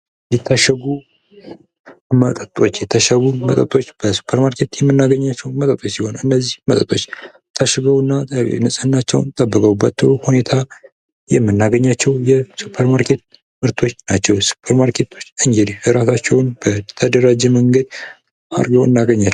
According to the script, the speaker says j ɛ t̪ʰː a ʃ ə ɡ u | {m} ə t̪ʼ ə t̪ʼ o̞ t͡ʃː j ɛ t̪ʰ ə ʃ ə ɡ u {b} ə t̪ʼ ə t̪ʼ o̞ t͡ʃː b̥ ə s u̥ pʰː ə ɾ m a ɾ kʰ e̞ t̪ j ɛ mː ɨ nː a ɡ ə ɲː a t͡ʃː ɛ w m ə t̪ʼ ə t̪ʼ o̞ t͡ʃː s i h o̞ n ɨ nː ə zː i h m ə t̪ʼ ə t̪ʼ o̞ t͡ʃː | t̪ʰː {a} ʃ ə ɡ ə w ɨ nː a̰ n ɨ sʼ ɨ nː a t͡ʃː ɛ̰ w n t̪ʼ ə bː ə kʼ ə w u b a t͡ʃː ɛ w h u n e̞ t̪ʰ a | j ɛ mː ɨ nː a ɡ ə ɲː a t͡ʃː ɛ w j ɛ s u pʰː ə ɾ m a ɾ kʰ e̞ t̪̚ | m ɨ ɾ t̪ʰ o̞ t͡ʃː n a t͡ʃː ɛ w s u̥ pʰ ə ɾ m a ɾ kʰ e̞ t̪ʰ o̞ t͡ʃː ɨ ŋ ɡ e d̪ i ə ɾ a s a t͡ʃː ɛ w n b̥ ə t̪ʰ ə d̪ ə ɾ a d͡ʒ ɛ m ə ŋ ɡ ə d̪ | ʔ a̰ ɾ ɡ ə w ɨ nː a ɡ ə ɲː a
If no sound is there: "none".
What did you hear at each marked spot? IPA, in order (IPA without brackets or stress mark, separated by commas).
m, m, a